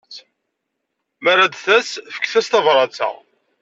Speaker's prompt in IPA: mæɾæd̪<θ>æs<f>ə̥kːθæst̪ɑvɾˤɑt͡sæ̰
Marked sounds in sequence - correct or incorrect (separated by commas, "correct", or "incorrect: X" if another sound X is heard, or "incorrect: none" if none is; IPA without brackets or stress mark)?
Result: correct, correct